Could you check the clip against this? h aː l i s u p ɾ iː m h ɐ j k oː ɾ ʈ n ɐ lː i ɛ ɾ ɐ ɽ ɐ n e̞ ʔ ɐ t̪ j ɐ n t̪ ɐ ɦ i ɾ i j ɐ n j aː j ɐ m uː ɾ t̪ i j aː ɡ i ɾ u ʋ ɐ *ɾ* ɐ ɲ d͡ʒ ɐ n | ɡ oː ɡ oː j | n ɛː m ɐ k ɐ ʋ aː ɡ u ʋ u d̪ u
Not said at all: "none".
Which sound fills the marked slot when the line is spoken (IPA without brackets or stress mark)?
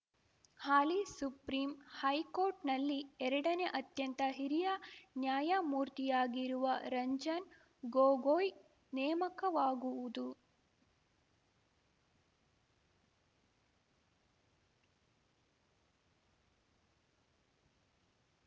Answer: ɾ